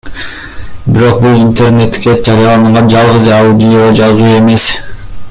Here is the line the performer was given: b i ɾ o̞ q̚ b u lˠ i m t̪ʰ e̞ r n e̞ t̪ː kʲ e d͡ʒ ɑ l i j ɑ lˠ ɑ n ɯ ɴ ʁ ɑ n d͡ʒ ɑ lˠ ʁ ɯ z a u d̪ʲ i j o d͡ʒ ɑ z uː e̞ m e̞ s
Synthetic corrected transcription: b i ɾ o̞ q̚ b u lˠ i n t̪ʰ e̞ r n e̞ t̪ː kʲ e d͡ʒ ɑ ɾ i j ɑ lˠ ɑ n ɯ ɴ ʁ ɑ n d͡ʒ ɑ lˠ ʁ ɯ z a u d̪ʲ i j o d͡ʒ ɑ z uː e̞ m e̞ s

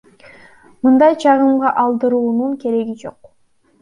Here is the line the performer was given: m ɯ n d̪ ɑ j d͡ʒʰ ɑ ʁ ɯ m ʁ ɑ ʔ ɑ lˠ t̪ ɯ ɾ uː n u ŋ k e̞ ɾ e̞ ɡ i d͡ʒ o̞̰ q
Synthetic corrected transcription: m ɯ n d̪ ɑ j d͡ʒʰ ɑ ʁ ɯ m ʁ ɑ ʔ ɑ lˠ d̪ ɯ ɾ uː n u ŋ k e̞ ɾ e̞ ɡ i d͡ʒ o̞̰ q

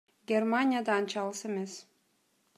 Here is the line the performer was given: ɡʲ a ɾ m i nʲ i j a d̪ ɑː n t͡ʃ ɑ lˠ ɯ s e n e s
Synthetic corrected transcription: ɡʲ e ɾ m a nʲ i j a d̪ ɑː n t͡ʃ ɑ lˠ ɯ s e m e s

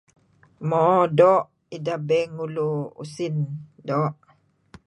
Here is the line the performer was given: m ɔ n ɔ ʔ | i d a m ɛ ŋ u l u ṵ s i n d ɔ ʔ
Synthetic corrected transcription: m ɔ d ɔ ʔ | i d a b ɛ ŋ u l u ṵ s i n d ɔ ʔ

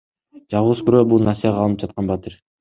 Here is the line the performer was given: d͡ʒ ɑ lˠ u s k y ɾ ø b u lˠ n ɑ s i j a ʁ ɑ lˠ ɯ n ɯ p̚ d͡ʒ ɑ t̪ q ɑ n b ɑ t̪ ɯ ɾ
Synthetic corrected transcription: d͡ʒ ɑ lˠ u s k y ɾ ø b u lˠ n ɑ s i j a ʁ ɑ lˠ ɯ n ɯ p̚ d͡ʒ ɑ t̪ q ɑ n b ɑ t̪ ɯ ɾ

